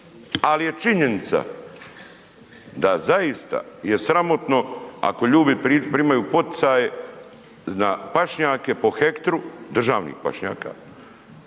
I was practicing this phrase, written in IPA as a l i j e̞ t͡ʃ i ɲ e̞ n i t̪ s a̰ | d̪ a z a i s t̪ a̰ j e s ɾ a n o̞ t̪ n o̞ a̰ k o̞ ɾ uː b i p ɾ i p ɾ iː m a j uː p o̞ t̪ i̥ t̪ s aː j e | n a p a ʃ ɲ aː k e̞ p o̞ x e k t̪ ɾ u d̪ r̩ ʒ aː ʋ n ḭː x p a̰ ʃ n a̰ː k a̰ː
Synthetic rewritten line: a l i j e̞ t͡ʃ i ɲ e̞ n i t̪ s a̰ | d̪ a z a i s t̪ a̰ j e s ɾ a m o̞ t̪ n o̞ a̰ k o̞ ʎ uː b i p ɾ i p ɾ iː m a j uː p o̞ t̪ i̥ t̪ s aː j e | n a p a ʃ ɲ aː k e̞ p o̞ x e k t̪ ɾ u d̪ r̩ ʒ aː ʋ n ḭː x p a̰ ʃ ɲ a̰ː k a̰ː